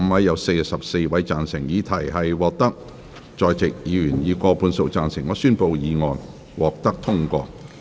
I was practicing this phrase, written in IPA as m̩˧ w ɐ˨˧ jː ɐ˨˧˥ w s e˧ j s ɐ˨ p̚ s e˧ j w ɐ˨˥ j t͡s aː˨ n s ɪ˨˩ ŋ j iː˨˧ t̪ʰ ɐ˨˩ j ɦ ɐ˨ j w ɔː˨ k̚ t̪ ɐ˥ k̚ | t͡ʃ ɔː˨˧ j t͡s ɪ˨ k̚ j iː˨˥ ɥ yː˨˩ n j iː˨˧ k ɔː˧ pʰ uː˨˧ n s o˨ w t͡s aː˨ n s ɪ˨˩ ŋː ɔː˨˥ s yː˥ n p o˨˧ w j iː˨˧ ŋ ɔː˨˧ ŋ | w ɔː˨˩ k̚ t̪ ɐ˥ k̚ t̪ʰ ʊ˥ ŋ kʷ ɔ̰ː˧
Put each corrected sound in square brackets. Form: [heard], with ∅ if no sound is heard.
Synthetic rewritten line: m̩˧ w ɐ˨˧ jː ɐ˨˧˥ w s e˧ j s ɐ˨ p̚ s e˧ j w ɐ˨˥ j t͡s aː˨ n s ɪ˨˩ ŋ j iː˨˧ t̪ʰ ɐ˨˩ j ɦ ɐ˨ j w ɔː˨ k̚ t̪ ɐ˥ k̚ | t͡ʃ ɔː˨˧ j t͡s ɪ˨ k̚ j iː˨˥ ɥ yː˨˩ n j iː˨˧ k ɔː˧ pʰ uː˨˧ n s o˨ w t͡s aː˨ n s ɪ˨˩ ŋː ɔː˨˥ s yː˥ n p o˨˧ w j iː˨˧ ŋ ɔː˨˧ [n] | w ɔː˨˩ k̚ t̪ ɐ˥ k̚ t̪ʰ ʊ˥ ŋ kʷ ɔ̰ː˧

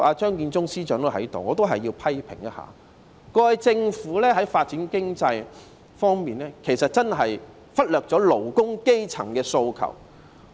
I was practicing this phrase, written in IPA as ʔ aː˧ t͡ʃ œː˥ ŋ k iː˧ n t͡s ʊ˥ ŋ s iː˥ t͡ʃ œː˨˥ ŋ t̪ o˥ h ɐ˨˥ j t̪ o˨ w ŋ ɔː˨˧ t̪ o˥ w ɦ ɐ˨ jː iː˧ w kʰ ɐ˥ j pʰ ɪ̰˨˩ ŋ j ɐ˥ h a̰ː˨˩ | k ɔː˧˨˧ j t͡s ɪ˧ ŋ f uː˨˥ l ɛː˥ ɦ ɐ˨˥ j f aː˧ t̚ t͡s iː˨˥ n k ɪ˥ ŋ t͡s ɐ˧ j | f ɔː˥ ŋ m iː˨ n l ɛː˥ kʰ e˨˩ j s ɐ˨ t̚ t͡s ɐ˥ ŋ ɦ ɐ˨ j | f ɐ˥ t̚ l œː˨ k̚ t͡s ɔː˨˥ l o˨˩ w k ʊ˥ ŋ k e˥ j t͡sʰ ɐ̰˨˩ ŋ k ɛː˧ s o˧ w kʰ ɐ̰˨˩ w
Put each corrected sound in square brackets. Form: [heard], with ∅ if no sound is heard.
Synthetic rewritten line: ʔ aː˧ t͡ʃ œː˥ ŋ k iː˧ n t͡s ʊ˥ ŋ s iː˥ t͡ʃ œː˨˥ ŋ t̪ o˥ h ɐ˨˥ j t̪ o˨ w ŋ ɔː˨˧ t̪ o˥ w ɦ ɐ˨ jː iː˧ w [pʰ] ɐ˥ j pʰ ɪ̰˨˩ ŋ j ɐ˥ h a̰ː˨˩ | k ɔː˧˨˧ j t͡s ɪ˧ ŋ f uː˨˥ l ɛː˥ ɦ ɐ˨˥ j f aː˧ t̚ t͡s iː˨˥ n k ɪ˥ ŋ t͡s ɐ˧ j | f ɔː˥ ŋ m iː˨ n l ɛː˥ kʰ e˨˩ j s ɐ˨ t̚ t͡s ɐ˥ [n] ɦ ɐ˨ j | f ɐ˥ t̚ l œː˨ k̚ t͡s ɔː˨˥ l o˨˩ w k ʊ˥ ŋ k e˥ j t͡sʰ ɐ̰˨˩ ŋ k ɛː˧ s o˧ w kʰ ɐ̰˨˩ w

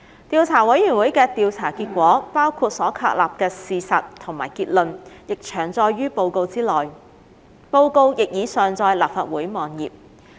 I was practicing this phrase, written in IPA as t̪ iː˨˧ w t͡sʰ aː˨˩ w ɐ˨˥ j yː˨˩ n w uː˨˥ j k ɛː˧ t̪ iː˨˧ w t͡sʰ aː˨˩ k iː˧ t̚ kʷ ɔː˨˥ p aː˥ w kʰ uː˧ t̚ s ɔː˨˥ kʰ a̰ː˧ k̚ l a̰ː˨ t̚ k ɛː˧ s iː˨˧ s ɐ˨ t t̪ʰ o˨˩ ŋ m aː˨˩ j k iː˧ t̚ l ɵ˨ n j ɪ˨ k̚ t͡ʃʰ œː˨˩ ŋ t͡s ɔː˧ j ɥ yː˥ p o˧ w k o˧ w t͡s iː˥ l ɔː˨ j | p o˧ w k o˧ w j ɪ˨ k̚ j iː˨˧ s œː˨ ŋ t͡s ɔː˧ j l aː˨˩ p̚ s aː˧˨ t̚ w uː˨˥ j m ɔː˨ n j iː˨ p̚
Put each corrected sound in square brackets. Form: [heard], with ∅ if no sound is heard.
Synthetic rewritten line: t̪ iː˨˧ w t͡sʰ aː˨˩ w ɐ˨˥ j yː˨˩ n w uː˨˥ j k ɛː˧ t̪ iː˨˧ w t͡sʰ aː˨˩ k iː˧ t̚ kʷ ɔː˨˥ p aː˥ w kʰ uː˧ t̚ s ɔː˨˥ kʰ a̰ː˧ k̚ l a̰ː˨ [p̚] k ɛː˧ s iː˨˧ s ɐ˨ t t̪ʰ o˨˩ ŋ m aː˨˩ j k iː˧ t̚ l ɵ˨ n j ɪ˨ k̚ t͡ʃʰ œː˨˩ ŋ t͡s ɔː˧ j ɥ yː˥ p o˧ w k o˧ w t͡s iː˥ l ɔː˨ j | p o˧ w k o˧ w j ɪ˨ k̚ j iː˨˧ s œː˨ ŋ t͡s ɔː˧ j l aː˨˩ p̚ [f] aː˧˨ t̚ w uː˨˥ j m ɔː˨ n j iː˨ p̚

